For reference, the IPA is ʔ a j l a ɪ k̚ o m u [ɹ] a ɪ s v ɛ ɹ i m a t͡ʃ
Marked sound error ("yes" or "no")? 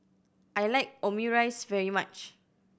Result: no